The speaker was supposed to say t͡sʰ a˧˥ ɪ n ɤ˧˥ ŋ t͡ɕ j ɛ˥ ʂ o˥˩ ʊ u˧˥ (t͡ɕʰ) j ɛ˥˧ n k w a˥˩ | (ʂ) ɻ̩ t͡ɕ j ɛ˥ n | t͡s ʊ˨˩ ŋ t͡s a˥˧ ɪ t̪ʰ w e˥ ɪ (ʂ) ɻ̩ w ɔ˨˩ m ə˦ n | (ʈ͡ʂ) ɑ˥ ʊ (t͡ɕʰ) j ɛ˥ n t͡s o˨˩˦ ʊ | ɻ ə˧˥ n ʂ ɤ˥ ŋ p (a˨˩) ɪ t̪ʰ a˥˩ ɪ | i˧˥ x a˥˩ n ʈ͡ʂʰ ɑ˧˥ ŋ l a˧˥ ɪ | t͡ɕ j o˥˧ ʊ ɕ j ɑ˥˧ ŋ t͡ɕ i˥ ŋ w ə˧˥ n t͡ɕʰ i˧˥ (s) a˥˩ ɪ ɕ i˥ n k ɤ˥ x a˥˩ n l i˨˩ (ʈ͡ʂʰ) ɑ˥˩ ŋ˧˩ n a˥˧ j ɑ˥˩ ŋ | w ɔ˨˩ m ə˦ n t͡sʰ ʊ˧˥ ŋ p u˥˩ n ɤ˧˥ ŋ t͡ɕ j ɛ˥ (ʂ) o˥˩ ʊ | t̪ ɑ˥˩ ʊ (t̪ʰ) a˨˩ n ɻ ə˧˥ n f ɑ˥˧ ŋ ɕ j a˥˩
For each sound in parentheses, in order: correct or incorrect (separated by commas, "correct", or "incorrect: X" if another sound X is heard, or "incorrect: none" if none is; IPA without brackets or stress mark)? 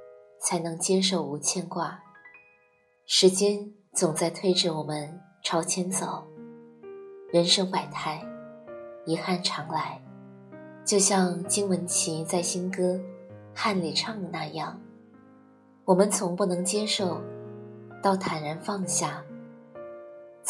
correct, correct, incorrect: ʈ͡ʂ, incorrect: ʈ͡ʂʰ, correct, correct, incorrect: t͡s, correct, correct, correct